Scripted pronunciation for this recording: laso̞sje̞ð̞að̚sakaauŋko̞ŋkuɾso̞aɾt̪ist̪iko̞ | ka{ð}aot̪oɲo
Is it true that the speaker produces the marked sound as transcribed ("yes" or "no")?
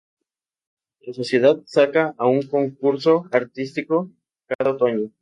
yes